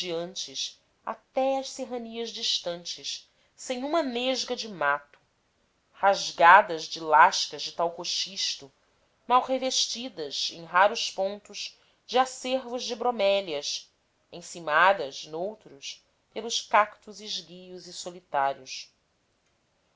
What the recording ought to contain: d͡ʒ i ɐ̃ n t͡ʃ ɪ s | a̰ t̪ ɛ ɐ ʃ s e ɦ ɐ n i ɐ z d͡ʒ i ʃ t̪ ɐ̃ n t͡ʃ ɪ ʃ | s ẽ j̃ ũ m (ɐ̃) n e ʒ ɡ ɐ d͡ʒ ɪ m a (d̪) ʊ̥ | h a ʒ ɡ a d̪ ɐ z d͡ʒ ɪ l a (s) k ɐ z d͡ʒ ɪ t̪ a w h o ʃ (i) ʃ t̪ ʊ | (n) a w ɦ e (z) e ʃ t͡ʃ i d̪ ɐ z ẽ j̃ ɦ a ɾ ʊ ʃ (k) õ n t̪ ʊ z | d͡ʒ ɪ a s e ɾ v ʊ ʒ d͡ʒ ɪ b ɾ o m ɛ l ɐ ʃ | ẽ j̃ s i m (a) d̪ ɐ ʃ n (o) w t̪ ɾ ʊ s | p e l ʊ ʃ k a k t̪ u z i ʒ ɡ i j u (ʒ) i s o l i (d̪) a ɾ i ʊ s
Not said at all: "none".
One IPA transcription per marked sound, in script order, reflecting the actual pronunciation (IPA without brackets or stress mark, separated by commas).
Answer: ɐ, t̪, ʃ, i, m, v, p, a, o, z, t̪